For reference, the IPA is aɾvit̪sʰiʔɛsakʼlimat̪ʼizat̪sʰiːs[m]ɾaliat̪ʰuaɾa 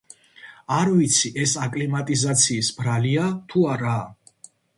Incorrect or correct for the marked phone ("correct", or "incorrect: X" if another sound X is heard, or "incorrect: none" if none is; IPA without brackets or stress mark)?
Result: incorrect: b